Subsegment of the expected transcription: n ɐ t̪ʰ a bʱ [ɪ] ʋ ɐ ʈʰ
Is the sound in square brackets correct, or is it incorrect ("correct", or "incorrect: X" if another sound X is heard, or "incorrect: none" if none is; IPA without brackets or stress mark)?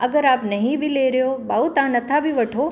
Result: incorrect: i